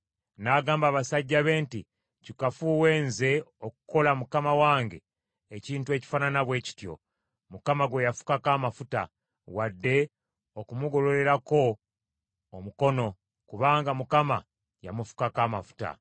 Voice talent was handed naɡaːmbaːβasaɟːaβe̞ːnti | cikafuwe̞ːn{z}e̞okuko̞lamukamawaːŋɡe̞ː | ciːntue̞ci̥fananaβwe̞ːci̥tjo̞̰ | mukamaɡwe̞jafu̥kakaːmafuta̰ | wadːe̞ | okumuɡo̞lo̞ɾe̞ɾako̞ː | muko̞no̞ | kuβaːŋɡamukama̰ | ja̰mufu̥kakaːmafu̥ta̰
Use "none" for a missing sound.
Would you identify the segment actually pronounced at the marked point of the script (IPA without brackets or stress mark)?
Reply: z